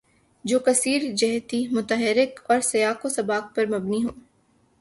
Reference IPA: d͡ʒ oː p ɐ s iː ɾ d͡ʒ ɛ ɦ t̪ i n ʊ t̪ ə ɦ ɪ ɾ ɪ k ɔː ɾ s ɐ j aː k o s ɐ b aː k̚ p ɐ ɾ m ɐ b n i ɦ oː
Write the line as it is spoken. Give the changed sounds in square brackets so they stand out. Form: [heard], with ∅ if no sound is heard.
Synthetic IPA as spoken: d͡ʒ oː [k] ɐ s iː ɾ d͡ʒ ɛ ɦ t̪ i [m] ʊ t̪ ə ɦ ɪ ɾ ɪ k ɔː ɾ s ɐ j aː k o s ɐ b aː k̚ p ɐ ɾ m ɐ b n i ɦ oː